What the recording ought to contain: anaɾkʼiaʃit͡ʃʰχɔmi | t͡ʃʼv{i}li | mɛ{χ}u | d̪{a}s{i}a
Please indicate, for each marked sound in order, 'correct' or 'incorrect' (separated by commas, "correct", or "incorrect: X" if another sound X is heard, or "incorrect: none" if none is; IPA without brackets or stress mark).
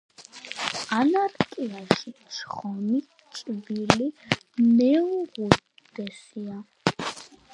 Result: correct, incorrect: ʁ, incorrect: ɛ, correct